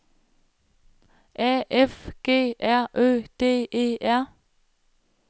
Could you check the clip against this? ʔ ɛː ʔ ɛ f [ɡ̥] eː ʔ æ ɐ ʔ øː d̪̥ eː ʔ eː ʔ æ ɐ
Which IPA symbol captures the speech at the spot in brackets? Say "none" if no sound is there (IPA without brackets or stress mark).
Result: ɡ̥